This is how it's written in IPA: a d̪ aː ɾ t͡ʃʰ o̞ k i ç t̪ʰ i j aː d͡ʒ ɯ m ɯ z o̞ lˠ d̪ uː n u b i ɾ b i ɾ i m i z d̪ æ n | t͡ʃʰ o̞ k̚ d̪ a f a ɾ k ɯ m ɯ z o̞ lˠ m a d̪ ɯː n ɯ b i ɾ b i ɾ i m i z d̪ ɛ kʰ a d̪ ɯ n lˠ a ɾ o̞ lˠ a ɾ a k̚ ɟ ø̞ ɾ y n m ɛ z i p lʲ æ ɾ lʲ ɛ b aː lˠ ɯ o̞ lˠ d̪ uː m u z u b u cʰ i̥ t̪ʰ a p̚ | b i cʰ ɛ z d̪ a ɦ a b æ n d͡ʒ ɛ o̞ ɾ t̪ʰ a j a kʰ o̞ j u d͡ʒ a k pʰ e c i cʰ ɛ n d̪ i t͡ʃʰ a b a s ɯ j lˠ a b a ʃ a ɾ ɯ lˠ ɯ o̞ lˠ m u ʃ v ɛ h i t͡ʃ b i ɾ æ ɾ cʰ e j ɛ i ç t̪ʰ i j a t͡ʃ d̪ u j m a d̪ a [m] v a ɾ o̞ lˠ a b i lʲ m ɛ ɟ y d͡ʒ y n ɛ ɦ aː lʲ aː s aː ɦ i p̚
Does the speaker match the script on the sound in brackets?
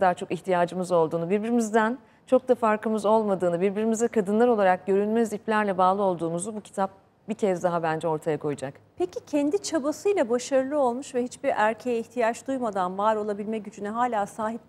no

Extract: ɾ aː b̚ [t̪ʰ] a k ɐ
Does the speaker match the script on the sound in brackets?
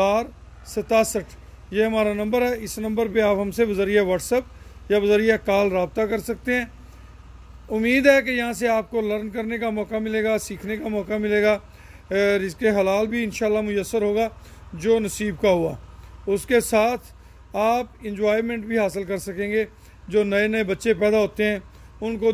no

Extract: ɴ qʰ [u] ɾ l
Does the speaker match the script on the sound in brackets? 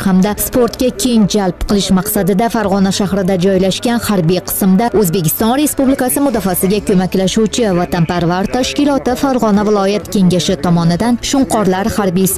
no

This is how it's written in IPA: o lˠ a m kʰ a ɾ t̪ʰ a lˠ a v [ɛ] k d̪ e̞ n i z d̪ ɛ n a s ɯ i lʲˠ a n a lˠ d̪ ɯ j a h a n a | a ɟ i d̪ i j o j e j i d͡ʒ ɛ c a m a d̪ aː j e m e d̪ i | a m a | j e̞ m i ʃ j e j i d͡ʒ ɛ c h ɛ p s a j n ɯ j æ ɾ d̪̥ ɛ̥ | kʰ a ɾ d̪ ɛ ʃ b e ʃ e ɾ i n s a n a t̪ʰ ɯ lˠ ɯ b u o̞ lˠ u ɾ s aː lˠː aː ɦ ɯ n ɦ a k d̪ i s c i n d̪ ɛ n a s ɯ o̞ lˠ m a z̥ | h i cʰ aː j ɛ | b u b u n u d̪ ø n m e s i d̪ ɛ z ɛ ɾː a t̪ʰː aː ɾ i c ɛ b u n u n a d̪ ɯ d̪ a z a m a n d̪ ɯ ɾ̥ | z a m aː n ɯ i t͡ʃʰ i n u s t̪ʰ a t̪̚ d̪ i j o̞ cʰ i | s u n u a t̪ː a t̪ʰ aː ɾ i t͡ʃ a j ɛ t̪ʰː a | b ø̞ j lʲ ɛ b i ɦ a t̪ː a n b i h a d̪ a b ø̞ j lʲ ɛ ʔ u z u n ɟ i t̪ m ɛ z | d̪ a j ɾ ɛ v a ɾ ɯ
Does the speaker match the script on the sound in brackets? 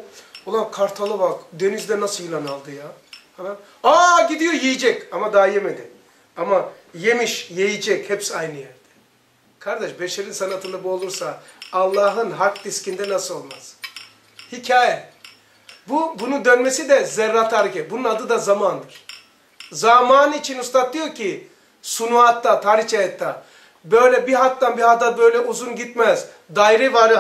no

